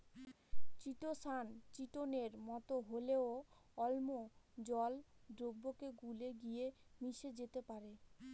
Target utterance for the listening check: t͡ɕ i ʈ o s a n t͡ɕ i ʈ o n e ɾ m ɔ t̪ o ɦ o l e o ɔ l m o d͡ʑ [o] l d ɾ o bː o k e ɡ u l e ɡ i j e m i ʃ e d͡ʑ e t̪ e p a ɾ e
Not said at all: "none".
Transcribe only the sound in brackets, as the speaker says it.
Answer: ɔ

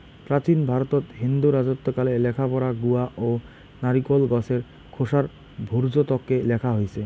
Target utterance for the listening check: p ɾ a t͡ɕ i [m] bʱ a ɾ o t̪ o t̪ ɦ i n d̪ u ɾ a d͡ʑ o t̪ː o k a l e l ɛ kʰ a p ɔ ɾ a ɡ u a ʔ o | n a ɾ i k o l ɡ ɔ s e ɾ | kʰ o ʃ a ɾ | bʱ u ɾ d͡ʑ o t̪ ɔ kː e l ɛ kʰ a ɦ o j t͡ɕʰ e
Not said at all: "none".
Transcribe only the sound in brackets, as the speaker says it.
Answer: n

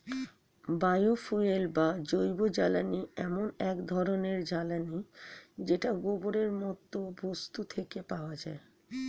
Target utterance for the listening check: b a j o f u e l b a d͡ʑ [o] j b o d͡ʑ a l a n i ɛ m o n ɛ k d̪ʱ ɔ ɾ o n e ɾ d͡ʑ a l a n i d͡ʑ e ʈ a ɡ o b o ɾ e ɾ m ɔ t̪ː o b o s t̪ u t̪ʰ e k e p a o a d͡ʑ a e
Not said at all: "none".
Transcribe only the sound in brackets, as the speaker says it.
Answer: o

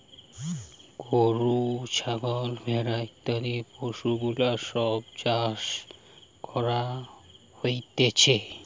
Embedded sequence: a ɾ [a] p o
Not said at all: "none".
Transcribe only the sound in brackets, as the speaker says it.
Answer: i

